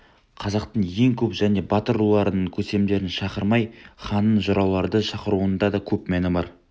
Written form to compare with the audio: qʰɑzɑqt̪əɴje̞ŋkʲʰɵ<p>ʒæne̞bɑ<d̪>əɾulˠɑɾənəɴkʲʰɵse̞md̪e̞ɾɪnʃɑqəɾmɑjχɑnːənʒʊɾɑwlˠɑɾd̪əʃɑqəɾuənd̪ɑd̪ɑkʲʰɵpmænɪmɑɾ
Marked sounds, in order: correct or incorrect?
correct, incorrect: t̪

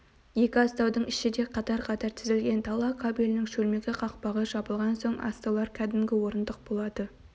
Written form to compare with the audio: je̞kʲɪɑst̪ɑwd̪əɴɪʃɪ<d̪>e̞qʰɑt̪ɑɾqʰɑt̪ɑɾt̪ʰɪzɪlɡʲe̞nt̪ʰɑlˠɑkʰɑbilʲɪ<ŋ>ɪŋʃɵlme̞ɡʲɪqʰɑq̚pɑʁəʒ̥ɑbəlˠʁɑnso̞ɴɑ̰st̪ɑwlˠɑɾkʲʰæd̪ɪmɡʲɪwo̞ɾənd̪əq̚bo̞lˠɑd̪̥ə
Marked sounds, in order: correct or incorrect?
correct, incorrect: n

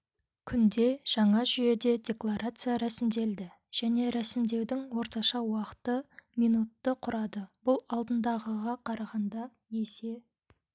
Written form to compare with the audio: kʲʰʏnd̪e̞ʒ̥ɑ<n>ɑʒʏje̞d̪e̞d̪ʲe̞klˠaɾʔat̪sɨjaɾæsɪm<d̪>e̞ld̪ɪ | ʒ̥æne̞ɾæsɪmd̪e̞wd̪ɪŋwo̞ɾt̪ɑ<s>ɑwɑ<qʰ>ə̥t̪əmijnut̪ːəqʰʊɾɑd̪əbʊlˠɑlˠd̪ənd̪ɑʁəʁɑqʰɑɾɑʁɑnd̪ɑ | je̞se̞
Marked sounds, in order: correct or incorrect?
incorrect: ɴ, correct, incorrect: ʃ, incorrect: q

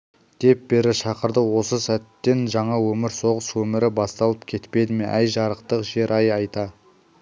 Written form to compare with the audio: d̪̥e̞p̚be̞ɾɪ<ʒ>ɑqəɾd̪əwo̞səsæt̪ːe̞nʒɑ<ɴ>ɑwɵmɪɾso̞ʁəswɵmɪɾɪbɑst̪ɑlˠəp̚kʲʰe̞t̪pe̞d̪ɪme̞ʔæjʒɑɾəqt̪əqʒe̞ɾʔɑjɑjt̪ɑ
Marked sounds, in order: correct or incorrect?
incorrect: ʃ, correct

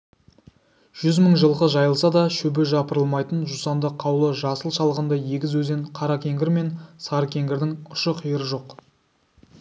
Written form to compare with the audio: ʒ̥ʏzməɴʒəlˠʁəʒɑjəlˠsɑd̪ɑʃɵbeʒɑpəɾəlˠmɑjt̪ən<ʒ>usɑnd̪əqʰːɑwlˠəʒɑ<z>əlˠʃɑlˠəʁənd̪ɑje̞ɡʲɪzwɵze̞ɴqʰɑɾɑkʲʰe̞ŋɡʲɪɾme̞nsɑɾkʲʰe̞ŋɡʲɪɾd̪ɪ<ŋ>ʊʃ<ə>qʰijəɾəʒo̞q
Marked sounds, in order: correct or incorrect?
correct, incorrect: s, correct, correct

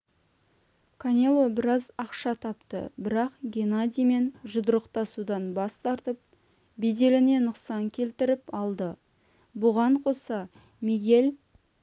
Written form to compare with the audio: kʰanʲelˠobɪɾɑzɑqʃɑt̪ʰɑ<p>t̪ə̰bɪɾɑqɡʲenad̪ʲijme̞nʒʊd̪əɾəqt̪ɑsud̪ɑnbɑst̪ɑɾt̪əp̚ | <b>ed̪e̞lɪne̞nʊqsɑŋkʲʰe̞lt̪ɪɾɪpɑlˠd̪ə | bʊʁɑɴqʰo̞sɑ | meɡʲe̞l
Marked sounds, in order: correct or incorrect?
correct, correct

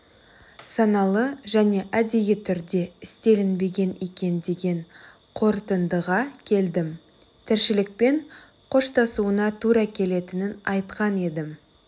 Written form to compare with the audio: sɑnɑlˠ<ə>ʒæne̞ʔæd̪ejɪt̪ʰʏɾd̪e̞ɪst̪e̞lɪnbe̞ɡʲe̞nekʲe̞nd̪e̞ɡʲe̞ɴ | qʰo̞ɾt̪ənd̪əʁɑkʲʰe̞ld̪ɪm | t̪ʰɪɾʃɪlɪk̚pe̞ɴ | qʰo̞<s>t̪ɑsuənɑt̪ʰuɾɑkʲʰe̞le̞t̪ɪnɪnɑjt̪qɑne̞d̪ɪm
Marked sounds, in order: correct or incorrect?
correct, incorrect: ʃ

